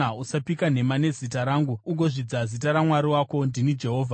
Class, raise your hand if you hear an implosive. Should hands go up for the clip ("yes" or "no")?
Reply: no